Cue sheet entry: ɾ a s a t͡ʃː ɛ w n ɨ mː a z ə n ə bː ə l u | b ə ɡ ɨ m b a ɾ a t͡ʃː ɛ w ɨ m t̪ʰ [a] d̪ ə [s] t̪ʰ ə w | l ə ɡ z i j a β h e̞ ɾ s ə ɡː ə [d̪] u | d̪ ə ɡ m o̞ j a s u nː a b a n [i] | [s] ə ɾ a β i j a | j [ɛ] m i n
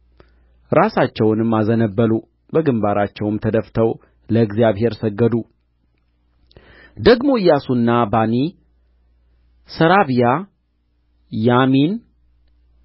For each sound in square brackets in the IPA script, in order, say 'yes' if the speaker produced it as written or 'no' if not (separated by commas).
no, no, yes, yes, yes, no